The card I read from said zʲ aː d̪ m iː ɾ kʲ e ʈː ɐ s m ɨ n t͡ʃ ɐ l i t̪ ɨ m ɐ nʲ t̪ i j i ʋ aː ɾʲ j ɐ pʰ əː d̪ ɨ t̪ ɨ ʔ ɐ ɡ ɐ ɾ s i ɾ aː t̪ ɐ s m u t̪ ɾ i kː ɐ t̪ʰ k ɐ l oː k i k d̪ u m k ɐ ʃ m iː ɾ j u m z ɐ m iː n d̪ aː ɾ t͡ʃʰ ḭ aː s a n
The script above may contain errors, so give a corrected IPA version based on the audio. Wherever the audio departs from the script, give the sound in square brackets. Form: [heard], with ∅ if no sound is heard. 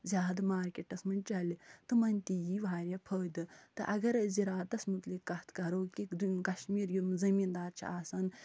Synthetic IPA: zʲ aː d̪ m [aː] ɾ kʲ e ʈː ɐ s m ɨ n t͡ʃ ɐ l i t̪ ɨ m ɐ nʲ t̪ i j i ʋ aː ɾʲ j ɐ pʰ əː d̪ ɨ t̪ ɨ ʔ ɐ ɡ ɐ ɾ [z] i ɾ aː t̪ ɐ s m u t̪ [l] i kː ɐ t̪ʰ k ɐ [ɾ] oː k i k d̪ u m k ɐ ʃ m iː ɾ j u m z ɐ m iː n d̪ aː ɾ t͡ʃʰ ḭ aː s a n

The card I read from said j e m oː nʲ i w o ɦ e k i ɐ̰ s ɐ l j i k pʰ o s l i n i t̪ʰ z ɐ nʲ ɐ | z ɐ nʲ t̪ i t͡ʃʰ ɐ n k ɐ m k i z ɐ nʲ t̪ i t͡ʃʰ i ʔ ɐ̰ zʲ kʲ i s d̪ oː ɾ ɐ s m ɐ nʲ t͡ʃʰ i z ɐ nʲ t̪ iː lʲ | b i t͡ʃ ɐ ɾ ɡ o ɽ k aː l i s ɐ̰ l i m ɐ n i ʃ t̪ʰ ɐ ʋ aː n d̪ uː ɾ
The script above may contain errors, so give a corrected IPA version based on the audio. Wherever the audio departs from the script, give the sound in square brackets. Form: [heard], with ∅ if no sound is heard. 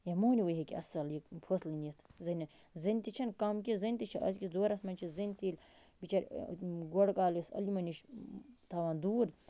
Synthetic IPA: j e m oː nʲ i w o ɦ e k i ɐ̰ s ɐ l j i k pʰ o s l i n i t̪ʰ z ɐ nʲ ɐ | z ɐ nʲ t̪ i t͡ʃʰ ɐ n k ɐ m k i z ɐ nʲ t̪ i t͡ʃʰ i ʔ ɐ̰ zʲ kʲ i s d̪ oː ɾ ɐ s m ɐ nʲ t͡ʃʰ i z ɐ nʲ t̪ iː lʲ | b i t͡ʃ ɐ ɾ ɡ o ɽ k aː l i s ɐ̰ l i m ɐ n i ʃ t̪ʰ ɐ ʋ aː n d̪ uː ɾ

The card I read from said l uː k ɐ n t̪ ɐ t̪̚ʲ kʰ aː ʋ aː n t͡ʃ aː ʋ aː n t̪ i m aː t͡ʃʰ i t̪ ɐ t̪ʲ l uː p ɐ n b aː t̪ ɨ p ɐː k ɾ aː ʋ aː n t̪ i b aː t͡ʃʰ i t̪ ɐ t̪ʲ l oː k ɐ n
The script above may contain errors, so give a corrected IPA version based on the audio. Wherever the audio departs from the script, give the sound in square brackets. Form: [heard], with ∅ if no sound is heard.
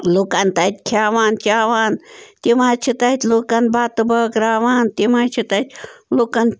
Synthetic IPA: l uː k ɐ n t̪ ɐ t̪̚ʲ kʰ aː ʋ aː n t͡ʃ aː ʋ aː n t̪ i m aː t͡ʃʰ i t̪ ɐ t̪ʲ l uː [k] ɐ n b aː t̪ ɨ [b] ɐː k ɾ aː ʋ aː n t̪ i [m] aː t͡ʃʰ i t̪ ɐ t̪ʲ l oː k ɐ n

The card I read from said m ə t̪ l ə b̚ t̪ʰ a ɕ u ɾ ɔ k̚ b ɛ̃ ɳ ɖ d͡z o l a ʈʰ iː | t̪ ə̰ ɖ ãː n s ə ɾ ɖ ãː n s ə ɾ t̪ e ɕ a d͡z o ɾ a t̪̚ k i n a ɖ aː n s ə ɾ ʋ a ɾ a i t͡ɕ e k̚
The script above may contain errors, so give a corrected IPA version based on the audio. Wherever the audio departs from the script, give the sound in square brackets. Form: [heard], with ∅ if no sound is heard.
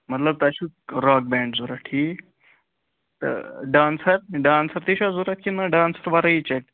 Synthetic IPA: m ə t̪ l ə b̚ [t̪] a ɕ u ɾ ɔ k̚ b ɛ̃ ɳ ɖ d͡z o [ɾ] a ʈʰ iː | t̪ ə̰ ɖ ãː n s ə ɾ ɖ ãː n s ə ɾ t̪ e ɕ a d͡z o ɾ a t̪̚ k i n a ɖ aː n s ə ɾ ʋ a ɾ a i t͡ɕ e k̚

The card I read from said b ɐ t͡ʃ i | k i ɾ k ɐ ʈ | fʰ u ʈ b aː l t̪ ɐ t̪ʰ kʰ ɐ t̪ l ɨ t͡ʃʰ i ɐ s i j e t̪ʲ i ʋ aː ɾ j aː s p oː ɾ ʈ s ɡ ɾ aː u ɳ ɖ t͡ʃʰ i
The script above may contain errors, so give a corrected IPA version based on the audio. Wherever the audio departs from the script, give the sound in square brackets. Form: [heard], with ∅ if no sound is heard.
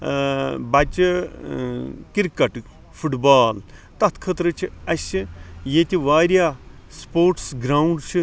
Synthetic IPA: b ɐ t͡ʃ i | k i ɾ k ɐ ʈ | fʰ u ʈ b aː l t̪ ɐ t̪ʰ kʰ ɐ t̪ [ɾ] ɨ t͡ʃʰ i ɐ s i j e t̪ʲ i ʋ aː ɾ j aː s p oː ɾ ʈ s ɡ ɾ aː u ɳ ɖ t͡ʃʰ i

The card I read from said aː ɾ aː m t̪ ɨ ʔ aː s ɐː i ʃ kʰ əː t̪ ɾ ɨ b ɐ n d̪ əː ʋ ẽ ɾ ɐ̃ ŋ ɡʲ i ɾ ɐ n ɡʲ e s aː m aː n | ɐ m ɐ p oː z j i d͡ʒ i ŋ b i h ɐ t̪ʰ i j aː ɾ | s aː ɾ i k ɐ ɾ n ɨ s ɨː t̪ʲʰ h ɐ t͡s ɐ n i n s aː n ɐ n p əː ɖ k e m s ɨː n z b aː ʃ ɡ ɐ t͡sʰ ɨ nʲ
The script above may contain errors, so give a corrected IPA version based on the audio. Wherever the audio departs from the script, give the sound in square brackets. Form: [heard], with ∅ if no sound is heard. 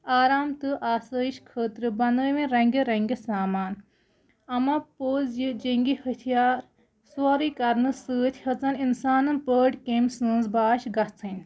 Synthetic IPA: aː ɾ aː m t̪ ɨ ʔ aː s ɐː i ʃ kʰ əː t̪ ɾ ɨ b ɐ n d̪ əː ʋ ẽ ɾ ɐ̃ ŋ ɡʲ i ɾ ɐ [ŋ] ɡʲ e s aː m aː n | ɐ m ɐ p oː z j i d͡ʒ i ŋ [ɡ] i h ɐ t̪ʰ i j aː ɾ | s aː ɾ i k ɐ ɾ n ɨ s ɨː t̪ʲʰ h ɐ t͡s ɐ n i n s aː n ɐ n p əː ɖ k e m s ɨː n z b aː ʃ ɡ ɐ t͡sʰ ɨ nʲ

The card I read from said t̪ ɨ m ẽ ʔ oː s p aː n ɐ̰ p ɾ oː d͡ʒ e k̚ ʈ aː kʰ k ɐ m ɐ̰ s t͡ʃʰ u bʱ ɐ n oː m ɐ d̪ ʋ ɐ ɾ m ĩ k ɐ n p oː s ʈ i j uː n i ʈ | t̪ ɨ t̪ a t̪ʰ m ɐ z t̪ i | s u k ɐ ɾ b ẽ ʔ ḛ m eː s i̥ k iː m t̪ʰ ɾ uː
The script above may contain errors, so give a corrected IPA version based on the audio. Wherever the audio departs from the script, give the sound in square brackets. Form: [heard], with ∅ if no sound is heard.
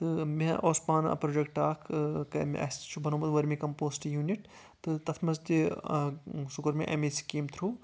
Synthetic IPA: t̪ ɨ m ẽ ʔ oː s p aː n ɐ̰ p ɾ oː d͡ʒ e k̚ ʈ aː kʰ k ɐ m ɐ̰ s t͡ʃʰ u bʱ ɐ n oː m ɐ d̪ ʋ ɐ ɾ m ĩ k ɐ [m] p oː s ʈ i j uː n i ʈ | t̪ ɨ t̪ [ɐ] t̪ʰ m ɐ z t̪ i | s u k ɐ ɾ [m] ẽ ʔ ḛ m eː s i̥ k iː m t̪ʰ ɾ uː

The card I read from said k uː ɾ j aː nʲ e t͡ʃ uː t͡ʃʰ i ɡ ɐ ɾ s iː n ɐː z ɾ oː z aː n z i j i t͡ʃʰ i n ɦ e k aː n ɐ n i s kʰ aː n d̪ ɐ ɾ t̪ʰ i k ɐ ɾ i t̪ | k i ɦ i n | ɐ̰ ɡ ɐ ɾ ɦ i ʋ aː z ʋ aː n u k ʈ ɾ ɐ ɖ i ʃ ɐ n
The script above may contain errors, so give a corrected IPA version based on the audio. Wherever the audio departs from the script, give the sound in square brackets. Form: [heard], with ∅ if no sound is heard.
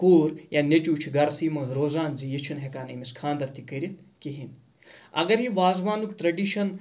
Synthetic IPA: k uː ɾ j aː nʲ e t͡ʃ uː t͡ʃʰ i ɡ ɐ ɾ s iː [m] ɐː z ɾ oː z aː n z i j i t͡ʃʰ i n ɦ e k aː n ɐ [m] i s kʰ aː n d̪ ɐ ɾ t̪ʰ i k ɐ ɾ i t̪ | k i ɦ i n | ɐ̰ ɡ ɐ ɾ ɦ i ʋ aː z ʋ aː n u k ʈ ɾ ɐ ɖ i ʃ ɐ n

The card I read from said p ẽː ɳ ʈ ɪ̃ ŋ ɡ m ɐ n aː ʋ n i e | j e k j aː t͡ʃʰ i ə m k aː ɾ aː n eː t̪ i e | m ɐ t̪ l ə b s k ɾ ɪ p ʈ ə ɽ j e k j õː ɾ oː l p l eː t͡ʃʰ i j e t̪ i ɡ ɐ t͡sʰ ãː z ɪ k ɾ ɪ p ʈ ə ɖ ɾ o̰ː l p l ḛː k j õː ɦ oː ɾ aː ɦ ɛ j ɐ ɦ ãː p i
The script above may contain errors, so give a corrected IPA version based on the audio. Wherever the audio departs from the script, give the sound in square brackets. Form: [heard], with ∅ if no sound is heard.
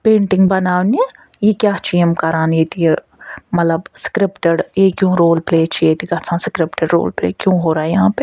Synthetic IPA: p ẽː ɳ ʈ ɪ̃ ŋ ɡ [b] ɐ n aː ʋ n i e | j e k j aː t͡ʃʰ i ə m k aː ɾ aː n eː t̪ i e | m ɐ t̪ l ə b s k ɾ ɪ p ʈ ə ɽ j e k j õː ɾ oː l p l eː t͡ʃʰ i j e t̪ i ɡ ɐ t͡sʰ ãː [s] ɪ k ɾ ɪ p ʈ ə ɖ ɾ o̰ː l p l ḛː k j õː ɦ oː ɾ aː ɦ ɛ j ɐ ɦ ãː p [e]

